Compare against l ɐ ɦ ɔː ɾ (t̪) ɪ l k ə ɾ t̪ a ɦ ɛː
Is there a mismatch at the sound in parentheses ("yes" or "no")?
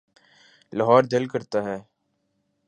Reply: yes